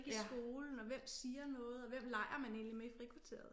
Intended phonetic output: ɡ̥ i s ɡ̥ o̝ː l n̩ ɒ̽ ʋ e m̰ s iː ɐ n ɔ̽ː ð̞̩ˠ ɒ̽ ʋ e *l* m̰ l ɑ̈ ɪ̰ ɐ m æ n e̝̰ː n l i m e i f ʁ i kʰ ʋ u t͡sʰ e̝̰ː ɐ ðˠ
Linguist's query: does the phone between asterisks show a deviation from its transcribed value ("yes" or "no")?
yes